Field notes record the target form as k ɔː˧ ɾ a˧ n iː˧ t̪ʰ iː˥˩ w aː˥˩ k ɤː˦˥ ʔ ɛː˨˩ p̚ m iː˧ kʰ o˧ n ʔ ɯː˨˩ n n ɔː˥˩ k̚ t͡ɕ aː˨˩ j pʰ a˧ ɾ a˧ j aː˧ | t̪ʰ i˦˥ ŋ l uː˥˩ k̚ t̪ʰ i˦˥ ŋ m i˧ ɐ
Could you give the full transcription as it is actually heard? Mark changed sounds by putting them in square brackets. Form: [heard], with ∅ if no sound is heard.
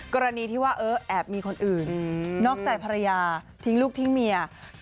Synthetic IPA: k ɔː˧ ɾ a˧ n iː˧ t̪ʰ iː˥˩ w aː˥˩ [ʔ] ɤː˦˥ ʔ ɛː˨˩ p̚ m iː˧ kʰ o˧ n ʔ ɯː˨˩ n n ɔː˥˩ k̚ t͡ɕ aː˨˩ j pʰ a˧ ɾ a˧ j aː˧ | t̪ʰ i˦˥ ŋ l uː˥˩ k̚ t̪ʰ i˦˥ ŋ m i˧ ɐ